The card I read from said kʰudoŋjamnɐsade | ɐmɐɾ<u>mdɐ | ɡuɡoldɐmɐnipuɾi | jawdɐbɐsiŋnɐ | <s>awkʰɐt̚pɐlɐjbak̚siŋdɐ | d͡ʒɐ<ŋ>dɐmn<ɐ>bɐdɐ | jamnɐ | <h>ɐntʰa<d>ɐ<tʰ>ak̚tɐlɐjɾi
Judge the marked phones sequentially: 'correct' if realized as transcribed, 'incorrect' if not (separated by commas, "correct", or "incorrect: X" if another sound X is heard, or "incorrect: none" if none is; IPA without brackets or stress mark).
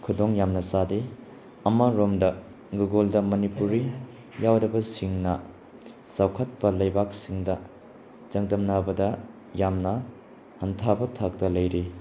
incorrect: o, correct, correct, incorrect: a, correct, incorrect: b, correct